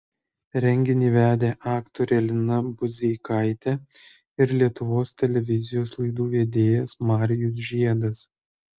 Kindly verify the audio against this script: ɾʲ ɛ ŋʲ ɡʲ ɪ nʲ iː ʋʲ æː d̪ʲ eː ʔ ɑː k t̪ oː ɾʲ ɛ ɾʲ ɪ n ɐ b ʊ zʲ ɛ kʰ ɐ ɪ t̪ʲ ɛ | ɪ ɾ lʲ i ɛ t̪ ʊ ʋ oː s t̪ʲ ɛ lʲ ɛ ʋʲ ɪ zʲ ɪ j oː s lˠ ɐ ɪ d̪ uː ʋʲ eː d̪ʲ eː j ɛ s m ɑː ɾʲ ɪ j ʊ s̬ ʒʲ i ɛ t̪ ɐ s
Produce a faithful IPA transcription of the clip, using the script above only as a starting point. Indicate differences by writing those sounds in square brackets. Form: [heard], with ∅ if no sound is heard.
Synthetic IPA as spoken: ɾʲ ɛ ŋʲ ɡʲ ɪ nʲ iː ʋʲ æː d̪ʲ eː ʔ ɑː k t̪ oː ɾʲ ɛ [lʲ] ɪ n ɐ b ʊ zʲ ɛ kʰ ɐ ɪ t̪ʲ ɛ | ɪ ɾ lʲ i ɛ t̪ ʊ ʋ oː s t̪ʲ ɛ lʲ ɛ ʋʲ ɪ zʲ ɪ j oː s lˠ ɐ ɪ d̪ uː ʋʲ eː d̪ʲ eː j ɛ s m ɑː ɾʲ ɪ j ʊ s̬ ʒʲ i ɛ [d̪] ɐ s